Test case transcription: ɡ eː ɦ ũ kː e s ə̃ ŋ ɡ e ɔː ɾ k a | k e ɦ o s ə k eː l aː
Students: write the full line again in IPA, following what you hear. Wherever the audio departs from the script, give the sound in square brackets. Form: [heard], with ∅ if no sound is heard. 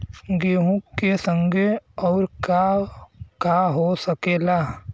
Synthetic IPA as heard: ɡ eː ɦ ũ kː e s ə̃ ŋ ɡ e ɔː ɾ k a | k [a] ɦ o s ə k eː l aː